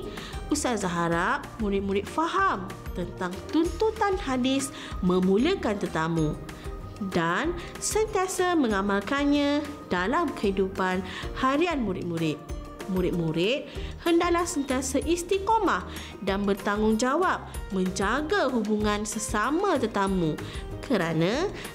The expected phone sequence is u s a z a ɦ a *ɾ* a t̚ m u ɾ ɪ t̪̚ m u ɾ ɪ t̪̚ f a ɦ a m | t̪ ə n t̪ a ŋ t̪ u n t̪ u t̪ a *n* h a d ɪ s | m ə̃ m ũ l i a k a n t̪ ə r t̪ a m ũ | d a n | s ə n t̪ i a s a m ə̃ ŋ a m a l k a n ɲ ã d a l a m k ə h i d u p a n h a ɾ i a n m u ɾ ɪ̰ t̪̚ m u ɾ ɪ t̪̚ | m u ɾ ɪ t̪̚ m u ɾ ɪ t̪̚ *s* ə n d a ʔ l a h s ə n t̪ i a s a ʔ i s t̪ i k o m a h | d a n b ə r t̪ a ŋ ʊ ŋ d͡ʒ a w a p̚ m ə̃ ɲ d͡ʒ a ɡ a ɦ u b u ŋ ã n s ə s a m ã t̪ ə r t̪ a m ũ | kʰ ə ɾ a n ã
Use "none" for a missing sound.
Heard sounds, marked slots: ɾ, n, h

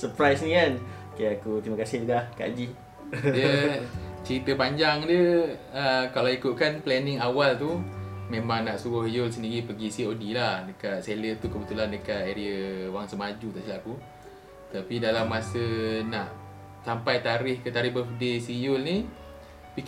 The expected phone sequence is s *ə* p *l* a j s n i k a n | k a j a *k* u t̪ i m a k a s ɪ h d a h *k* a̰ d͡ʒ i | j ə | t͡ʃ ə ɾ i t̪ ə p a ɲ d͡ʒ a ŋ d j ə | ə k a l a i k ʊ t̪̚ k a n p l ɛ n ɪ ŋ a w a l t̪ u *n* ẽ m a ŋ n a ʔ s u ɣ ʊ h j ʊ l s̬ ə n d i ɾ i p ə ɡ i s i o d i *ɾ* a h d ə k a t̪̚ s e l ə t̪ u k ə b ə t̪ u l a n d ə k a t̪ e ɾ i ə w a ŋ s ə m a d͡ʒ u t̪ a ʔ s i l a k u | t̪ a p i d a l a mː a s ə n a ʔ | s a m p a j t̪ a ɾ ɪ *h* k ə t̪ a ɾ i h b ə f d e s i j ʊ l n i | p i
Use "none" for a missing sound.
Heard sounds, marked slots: ə, ɾ, k, k, m, l, h

